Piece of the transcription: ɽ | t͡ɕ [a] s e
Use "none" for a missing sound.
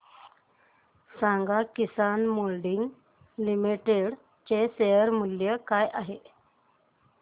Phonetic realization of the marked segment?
e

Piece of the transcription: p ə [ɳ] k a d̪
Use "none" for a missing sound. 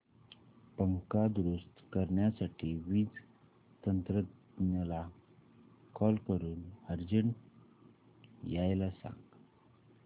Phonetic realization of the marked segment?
ŋ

